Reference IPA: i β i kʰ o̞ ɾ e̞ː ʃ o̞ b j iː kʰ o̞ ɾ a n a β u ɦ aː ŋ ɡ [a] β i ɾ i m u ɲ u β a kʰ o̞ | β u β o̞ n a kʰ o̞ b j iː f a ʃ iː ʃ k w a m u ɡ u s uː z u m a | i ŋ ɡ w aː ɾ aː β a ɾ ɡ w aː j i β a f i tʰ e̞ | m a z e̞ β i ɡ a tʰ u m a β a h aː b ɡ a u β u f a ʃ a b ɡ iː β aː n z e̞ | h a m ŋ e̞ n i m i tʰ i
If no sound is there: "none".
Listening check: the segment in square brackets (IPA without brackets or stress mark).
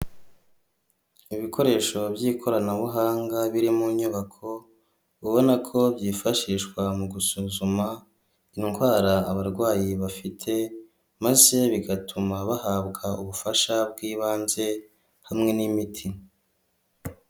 a